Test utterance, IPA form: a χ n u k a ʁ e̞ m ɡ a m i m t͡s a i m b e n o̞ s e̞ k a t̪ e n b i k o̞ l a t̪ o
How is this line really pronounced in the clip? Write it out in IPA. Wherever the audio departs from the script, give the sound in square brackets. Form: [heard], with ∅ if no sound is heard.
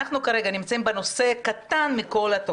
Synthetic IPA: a χ n u k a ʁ e̞ [∅] ɡ a [n] i m t͡s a i m b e n o̞ s e̞ k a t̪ [a] n [m] i k o̞ l a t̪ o